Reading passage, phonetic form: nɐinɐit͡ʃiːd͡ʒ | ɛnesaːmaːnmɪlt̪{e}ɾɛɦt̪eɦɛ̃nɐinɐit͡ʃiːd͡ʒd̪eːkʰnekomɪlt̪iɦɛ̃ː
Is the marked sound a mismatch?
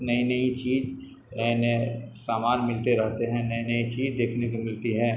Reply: no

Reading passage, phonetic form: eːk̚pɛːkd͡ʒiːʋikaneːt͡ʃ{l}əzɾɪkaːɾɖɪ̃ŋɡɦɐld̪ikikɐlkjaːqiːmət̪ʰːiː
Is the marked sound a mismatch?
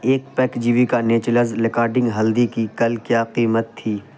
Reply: no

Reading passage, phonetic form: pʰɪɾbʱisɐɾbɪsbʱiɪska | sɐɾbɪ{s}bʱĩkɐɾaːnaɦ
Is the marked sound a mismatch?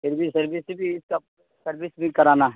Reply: no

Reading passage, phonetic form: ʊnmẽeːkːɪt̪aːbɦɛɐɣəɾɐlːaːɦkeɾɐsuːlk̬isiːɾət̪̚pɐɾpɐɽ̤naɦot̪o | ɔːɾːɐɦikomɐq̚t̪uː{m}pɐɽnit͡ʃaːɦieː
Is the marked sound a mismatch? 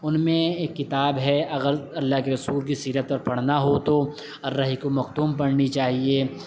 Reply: no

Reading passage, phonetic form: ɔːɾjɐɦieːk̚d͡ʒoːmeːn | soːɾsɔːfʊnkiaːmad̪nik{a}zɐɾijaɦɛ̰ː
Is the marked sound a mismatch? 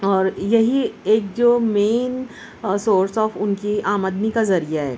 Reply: no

